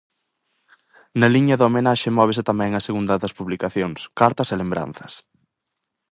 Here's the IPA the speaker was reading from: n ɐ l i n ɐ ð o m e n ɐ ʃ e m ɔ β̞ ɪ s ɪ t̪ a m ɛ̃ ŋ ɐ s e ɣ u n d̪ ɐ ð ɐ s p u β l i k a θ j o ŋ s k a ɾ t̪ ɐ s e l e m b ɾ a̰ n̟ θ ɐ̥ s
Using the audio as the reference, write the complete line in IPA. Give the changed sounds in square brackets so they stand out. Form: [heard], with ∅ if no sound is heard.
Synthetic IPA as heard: n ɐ l i [ɲ] ɐ ð o m e n [a] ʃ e m ɔ β̞ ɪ s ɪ t̪ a m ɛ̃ ŋ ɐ s e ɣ u n d̪ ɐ ð ɐ s p u β l i k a θ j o ŋ s k a ɾ t̪ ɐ s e l e m b ɾ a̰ n̟ θ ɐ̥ s